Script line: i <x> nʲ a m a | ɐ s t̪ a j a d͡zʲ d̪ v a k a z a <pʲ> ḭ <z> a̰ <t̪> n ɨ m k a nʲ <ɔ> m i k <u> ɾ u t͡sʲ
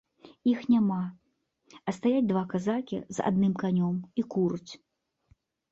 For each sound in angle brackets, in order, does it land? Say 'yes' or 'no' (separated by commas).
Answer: yes, no, yes, no, yes, yes